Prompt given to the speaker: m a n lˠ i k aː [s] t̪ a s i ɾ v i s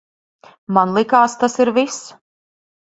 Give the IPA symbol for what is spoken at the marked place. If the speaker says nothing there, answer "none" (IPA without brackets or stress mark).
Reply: s